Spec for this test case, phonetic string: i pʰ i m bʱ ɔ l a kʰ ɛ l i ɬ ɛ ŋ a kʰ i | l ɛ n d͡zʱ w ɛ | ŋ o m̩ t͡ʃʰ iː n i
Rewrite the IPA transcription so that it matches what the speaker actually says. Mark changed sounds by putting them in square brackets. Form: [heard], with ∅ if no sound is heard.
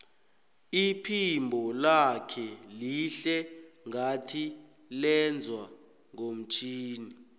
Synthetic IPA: i pʰ i m bʱ ɔ l a kʰ ɛ l i ɬ ɛ ŋ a [tʰ] i | l ɛ n d͡zʱ w [a] | ŋ o m̩ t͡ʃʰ iː n i